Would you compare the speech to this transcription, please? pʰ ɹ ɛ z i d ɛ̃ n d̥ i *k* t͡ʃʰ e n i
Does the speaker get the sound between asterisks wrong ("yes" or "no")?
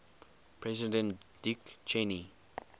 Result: no